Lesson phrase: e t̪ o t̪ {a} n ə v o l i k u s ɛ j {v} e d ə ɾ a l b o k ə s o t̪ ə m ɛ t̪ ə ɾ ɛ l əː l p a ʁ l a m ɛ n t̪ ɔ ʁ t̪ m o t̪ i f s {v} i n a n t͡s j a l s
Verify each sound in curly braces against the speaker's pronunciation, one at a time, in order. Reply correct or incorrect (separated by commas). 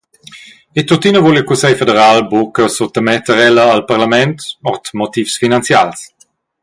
incorrect, incorrect, incorrect